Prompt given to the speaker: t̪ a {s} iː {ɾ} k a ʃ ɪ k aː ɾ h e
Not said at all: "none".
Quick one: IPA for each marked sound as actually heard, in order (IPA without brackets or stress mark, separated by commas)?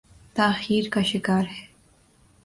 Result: x, ɾ